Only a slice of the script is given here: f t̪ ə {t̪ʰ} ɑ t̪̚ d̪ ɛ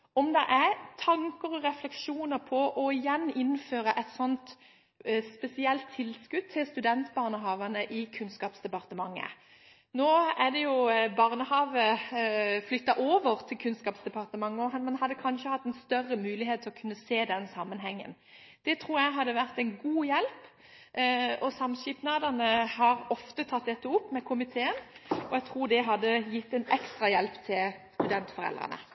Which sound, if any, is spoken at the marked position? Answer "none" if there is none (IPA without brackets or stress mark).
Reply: t̪ʰ